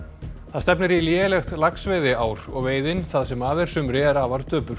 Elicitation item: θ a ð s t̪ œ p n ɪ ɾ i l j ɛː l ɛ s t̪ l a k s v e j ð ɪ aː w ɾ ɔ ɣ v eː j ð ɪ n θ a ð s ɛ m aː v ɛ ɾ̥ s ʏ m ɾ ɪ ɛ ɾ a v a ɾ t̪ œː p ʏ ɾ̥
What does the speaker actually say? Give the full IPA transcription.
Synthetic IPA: θ a ð s t̪ ɛ p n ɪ ɾ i l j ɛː l ɛ x t̪ l a k s v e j ð ɪ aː w ɾ ɔ ɣ v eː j ð ɪ n θ a ð s ɛ m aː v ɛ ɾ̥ s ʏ m ɾ ɪ ɛ ɾ a v a ɾ t̪ œː p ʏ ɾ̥

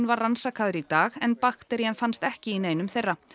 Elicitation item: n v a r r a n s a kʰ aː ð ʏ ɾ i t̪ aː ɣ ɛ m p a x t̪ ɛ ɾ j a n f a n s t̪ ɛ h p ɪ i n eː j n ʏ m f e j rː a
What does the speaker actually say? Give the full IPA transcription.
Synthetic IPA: n v a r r a n s a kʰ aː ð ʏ ɾ i t̪ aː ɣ ɛ n p a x t̪ ɛ ɾ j a n f a n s t̪ ɛ h c ɪ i n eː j n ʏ m θ e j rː a

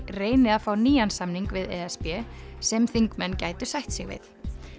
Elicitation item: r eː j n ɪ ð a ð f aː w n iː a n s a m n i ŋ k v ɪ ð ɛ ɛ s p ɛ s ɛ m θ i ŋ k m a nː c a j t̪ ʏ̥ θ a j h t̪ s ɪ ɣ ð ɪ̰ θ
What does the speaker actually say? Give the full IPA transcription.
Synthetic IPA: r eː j n ɪ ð a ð f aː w n iː a n s a m n i ŋ k v ɪ ð ɛ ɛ s p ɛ s ɛ m θ i ŋ k m ɛ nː c a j t̪ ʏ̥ s a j h t̪ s ɪ ɣ v ɪ̰ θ

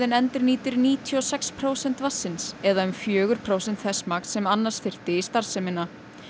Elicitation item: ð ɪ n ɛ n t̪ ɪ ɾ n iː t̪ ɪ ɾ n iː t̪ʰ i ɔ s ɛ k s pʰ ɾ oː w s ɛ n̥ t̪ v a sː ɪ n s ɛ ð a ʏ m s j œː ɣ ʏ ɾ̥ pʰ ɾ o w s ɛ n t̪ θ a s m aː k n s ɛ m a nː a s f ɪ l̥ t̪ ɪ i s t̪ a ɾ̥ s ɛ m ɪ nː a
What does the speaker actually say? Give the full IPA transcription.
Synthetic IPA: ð ɪ n ɛ n t̪ ɪ ɾ n iː t̪ ɪ ɾ n iː t̪ʰ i ɔ s ɛ k s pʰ ɾ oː w s ɛ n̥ t̪ v a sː ɪ n s ɛ ð a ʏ m f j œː ɣ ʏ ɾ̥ pʰ ɾ o w s ɛ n t̪ θ ɛ s m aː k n s ɛ m a nː a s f ɪ r̥ t̪ ɪ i s t̪ a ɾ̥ s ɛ m ɪ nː a

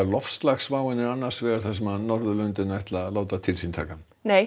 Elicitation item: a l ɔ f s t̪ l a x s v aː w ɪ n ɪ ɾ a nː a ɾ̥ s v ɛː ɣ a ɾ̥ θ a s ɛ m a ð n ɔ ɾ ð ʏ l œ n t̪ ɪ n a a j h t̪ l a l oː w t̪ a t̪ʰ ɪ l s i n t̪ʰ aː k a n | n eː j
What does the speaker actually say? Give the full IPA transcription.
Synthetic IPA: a l ɔ f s t̪ l a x s v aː w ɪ n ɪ ɾ a nː a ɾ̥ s v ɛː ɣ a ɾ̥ θ a s ɛ m a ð n ɔ ɾ ð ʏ l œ n t̪ ɪ n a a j h t̪ l a l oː w t̪ a t̪ʰ ɪ l s i n t̪ʰ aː k a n | n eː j

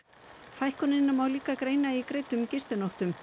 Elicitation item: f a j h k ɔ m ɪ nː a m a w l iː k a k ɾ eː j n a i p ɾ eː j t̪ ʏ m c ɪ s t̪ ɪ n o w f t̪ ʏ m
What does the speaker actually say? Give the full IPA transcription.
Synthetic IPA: f a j h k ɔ n ɪ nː a m a w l iː k a k ɾ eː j n a i k ɾ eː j t̪ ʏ m c ɪ s t̪ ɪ n o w h t̪ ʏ m

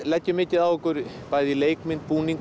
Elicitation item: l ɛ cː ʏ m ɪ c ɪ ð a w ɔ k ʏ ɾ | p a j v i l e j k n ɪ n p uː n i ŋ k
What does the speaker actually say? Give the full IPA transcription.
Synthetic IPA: l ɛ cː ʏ m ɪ c ɪ ð a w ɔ k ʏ ɾ | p a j ð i l e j k m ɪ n p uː n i ŋ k

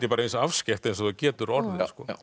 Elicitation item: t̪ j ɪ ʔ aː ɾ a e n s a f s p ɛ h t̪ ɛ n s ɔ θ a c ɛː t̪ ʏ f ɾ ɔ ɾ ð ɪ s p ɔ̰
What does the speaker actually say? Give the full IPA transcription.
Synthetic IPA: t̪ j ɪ p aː ɾ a e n s a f s c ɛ h t̪ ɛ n s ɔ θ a c ɛː t̪ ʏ ɾ ɔ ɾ ð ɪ s k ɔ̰

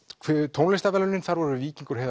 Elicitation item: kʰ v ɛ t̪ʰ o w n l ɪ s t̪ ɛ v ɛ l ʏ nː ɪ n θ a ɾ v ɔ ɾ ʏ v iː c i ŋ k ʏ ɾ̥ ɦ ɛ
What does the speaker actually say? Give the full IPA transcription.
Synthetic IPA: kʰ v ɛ t̪ʰ o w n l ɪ s t̪ a v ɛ l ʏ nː ɪ n θ a ɾ v ɔ ɾ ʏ v iː c i ŋ k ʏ ɾ̥ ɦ ɛ

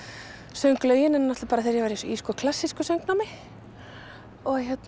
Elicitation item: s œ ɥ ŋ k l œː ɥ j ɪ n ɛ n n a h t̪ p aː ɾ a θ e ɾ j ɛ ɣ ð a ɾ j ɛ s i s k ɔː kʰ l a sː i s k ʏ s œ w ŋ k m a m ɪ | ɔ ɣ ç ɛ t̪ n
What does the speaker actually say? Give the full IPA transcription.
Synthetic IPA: s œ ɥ ŋ k l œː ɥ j ɪ n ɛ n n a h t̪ p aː ɾ a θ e ɾ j ɛ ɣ v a ɾ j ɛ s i s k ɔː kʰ l a sː i s k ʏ s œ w ŋ k n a m ɪ | ɔ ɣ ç ɛ t̪ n

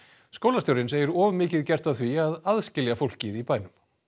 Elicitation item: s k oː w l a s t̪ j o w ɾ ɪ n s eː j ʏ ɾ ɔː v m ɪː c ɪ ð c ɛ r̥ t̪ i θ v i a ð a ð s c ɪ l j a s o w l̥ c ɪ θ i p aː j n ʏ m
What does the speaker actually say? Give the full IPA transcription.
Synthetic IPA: s k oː w l a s t̪ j o w ɾ ɪ n s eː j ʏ ɾ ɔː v m ɪː c ɪ ð c ɛ r̥ t̪ a θ v i a ð a ð s c ɪ l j a f o w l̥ c ɪ ð i p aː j n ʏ m

